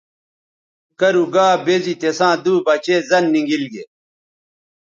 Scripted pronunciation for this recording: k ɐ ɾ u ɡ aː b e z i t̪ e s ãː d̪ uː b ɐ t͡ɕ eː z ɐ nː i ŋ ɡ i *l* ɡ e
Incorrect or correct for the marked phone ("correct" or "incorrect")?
correct